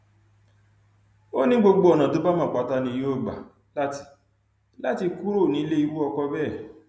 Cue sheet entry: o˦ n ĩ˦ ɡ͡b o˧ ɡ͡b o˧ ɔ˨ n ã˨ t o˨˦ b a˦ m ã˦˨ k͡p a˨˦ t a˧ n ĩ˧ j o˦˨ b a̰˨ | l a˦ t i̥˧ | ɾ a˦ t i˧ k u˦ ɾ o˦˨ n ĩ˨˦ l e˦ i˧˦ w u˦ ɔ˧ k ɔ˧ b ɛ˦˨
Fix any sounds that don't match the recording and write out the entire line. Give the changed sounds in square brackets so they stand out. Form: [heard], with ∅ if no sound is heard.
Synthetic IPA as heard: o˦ n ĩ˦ ɡ͡b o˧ ɡ͡b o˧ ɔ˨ n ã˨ t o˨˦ b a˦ m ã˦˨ k͡p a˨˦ t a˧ n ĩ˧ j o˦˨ [ɡ͡b] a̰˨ | l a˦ t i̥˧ | [l] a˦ t i˧ k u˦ ɾ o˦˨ n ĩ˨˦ l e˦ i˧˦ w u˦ ɔ˧ k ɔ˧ b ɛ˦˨